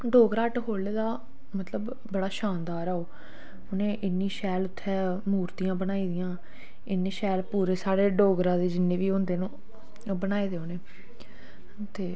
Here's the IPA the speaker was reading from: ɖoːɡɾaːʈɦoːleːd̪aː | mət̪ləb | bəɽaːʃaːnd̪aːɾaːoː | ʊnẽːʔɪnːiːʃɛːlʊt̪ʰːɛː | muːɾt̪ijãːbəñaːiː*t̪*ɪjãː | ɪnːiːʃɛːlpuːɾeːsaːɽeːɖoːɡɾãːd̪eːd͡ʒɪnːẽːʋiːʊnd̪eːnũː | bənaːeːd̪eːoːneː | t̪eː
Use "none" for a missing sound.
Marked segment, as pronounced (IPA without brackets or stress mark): d̪